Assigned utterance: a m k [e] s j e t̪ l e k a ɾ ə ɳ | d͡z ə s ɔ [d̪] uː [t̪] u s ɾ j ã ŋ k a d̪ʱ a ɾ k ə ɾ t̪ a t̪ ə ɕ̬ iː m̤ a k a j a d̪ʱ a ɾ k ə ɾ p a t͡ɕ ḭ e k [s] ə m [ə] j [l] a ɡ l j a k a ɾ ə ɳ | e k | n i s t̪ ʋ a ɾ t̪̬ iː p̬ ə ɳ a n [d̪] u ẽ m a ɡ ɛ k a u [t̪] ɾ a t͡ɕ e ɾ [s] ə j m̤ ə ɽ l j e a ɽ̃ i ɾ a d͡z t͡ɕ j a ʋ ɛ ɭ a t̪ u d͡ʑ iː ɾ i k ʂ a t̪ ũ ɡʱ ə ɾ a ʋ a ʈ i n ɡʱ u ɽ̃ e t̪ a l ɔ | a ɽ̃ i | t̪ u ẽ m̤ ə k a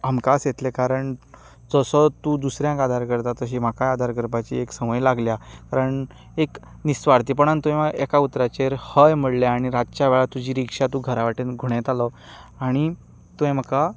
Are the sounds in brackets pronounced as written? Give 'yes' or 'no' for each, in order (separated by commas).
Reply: no, no, no, yes, yes, yes, no, yes, no